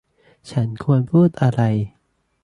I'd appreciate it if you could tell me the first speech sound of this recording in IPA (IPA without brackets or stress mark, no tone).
t͡ɕʰ